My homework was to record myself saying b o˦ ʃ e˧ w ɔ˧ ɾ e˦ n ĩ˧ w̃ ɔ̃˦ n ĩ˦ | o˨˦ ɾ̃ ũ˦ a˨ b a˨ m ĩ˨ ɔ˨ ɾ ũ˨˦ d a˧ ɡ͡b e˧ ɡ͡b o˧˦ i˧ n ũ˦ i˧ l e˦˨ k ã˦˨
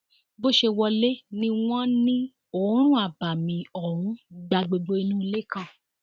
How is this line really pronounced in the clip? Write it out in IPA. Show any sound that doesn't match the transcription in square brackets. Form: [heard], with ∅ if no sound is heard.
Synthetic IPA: b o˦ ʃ e˧ w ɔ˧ [l] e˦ n ĩ˧ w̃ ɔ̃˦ n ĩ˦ | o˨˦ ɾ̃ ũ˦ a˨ b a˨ m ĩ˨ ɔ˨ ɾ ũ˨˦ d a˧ ɡ͡b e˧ ɡ͡b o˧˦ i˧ n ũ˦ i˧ l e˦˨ k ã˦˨